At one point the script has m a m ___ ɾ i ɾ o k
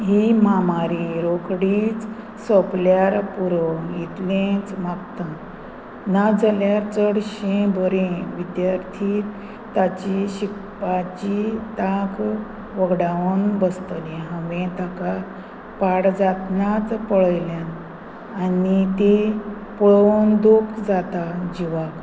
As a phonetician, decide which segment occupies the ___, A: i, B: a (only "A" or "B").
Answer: B